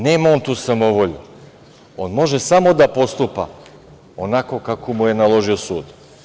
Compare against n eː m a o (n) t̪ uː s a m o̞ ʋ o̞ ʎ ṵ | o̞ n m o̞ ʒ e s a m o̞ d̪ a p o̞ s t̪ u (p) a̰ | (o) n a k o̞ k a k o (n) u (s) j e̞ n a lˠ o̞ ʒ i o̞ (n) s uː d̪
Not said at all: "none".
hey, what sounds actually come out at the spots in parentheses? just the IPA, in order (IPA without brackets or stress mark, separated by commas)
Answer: n, p, o, m, none, none